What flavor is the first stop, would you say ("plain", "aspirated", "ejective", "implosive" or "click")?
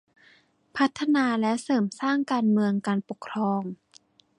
aspirated